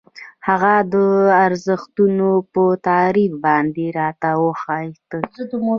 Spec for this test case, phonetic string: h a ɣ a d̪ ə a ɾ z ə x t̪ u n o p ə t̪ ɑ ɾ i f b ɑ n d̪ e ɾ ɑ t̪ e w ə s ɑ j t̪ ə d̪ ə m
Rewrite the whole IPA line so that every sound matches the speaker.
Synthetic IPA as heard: h a ɣ a d̪ ə a ɾ z ə x t̪ u n o p ə t̪ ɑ ɾ i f b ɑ n d̪ e ɾ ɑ t̪ a w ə x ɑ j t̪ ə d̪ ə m